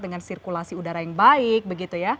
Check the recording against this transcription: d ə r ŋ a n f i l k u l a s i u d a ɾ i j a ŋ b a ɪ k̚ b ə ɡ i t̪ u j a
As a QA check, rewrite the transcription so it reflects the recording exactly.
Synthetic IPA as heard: d ə ŋ a n s i r k u l a s i u d a ɾ a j a ŋ b a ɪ k̚ b ə ɡ i t̪ u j a